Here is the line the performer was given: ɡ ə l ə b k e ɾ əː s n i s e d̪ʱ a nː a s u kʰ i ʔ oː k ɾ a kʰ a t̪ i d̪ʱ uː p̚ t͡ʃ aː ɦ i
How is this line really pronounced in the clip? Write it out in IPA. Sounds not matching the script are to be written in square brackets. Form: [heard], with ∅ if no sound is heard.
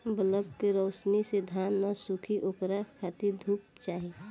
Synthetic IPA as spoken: [b] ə l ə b k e ɾ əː s n i s e d̪ʱ a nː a s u kʰ i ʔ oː k ɾ a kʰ a t̪ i d̪ʱ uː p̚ t͡ʃ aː ɦ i